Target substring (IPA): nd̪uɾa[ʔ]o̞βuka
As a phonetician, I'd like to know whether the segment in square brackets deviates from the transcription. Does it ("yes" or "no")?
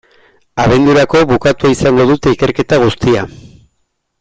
yes